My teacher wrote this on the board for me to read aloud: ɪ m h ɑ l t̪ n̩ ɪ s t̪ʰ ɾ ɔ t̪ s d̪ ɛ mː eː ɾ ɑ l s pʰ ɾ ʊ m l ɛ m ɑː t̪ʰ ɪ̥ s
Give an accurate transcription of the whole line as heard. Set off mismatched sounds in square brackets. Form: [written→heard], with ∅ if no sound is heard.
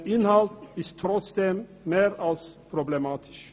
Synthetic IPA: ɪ [m→n] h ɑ l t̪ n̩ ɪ s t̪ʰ ɾ ɔ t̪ s d̪ ɛ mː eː ɾ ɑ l s pʰ ɾ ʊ [m→b] l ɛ m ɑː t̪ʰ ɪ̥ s